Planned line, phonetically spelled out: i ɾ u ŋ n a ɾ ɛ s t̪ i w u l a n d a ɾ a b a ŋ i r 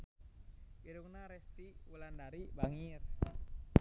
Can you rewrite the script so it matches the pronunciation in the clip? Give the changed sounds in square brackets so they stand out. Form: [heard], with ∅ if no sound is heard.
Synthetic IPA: i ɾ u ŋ n a ɾ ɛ s t̪ i w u l a n d a ɾ [i] b a ŋ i r